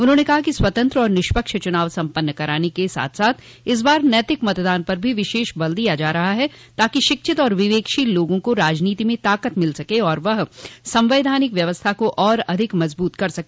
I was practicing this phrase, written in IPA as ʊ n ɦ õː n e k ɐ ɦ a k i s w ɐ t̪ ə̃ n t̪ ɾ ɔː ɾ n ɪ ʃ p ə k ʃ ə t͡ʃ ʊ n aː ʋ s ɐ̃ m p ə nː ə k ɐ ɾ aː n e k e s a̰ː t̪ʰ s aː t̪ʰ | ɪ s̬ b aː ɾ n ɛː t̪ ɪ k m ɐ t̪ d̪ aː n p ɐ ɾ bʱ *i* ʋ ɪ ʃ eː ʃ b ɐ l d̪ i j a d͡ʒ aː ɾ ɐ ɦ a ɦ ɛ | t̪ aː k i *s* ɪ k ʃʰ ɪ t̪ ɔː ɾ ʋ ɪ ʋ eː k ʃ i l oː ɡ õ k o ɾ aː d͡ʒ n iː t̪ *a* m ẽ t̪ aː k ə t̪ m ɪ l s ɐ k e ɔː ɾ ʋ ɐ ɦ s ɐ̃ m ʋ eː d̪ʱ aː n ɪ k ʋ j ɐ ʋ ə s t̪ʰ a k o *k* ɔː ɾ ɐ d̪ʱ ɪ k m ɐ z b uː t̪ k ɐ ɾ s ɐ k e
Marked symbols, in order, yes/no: yes, no, no, no

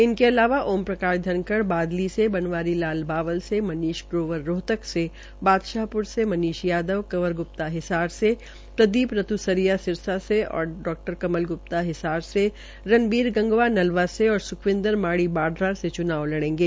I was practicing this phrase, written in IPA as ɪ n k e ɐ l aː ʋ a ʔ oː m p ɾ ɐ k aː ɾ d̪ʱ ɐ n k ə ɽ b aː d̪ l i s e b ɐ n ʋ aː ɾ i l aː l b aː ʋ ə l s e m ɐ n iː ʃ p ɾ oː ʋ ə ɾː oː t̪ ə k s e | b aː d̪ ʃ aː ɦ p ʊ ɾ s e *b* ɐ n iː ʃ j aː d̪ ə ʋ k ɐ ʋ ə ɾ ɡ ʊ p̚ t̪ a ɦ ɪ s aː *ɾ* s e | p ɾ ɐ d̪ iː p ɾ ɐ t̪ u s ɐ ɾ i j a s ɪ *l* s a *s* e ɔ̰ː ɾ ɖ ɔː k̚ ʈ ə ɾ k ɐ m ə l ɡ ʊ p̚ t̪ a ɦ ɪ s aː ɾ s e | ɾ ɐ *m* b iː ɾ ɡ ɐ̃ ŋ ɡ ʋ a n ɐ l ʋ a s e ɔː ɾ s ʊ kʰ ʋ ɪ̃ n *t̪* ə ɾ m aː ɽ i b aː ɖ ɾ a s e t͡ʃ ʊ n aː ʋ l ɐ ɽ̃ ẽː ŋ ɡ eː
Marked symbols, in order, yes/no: no, yes, no, yes, no, no

